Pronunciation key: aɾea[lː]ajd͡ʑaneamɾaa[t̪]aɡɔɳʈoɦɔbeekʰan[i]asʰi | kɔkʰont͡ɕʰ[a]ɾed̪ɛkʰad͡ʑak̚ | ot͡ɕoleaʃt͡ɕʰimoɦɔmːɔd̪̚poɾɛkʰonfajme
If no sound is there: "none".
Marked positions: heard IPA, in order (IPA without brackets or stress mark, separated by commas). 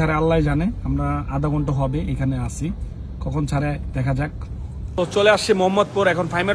lː, d̪, e, a